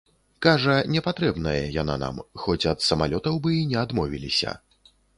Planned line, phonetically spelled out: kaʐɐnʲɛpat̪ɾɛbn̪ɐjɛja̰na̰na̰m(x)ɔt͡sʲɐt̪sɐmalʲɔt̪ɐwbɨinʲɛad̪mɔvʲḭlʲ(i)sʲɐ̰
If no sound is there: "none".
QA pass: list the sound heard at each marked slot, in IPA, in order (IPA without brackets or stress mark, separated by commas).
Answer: x, i